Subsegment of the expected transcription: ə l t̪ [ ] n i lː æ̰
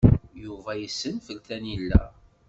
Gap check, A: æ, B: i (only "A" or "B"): A